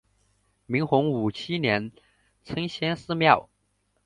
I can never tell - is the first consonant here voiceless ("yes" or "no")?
no